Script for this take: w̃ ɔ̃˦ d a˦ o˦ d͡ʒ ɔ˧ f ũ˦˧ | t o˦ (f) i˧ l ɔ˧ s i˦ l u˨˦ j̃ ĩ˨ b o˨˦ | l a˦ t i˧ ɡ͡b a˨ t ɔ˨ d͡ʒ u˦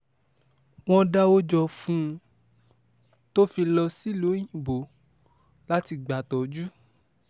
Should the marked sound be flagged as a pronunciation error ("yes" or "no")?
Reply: no